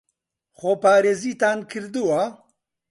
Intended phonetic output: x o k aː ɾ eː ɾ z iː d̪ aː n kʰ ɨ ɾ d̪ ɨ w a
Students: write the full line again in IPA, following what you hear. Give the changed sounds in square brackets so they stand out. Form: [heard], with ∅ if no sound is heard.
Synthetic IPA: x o [p] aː ɾ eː [∅] z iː [t̪] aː n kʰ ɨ ɾ d̪ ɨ w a